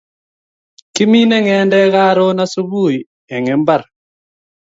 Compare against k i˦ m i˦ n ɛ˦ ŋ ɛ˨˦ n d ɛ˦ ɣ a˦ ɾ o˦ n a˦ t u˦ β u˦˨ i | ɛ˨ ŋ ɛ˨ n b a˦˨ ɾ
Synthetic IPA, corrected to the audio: k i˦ m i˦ n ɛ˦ ŋ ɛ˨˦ n d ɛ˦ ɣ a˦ ɾ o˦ n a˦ s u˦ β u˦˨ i | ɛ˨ ŋ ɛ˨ m b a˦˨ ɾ